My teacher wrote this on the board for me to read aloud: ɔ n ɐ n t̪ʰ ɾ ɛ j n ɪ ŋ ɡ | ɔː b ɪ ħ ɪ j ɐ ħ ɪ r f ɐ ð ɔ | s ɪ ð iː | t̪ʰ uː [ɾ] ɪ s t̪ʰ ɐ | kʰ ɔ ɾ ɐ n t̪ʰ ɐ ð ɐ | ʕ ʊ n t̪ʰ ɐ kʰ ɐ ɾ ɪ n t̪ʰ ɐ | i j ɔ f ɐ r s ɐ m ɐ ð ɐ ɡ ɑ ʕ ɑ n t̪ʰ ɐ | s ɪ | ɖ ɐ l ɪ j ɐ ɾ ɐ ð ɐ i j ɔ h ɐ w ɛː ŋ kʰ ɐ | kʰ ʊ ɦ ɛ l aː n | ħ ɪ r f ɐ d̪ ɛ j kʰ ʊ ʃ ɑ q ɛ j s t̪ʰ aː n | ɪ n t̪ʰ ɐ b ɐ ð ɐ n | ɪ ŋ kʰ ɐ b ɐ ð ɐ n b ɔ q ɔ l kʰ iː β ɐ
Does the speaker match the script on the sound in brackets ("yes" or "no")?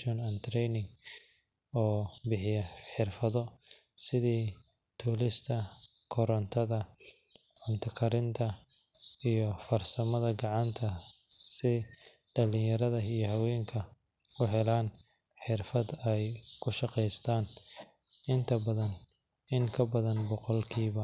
no